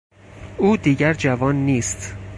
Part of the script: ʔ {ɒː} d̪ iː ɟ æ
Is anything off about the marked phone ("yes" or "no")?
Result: yes